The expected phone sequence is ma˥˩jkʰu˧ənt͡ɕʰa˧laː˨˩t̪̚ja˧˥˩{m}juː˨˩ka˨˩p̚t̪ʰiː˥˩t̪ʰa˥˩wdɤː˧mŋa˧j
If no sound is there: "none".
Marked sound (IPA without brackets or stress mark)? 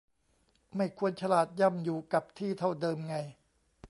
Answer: m